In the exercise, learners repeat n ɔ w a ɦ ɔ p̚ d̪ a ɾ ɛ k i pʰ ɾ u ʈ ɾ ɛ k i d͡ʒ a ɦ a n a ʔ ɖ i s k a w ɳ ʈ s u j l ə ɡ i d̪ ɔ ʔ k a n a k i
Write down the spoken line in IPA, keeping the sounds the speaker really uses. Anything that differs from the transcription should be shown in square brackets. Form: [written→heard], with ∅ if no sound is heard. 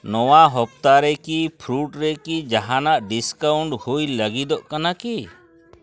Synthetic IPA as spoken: n ɔ w a ɦ ɔ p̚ [d̪→t̪] a ɾ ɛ k i pʰ ɾ u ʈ ɾ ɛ k i d͡ʒ a ɦ a n a ʔ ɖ i s k a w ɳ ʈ [s→h] u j l ə ɡ i d̪ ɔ ʔ k a n a k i